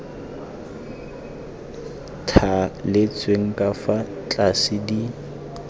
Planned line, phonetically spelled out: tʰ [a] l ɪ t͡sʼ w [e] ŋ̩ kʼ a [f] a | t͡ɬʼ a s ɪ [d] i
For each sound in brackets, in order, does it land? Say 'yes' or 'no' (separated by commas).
yes, yes, yes, yes